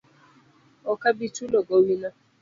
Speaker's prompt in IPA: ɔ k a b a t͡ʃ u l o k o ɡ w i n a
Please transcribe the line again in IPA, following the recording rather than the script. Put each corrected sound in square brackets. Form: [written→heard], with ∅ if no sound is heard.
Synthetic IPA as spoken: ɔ k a b [a→i] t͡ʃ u l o [k→ɡ] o [ɡ→∅] w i n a